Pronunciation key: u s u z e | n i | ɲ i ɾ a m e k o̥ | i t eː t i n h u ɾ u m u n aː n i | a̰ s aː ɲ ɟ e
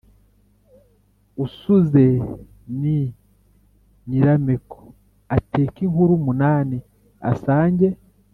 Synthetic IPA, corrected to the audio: u s u z e | n i | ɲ i ɾ a m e k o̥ | a t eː k i ŋ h u ɾ u m u n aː n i | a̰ s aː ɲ ɟ e